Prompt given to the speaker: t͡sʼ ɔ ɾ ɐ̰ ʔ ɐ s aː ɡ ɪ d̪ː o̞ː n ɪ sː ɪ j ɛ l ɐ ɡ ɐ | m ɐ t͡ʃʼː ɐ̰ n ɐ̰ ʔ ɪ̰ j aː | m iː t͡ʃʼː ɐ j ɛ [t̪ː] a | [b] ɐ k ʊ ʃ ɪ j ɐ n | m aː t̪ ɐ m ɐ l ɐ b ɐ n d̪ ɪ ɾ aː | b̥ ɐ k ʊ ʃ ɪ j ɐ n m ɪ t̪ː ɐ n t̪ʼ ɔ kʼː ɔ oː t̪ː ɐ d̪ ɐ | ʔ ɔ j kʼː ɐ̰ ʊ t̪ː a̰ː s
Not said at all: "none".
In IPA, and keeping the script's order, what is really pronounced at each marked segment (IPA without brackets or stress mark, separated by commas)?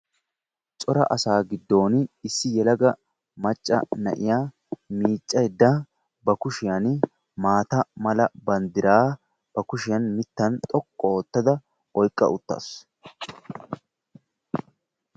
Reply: d̪ː, b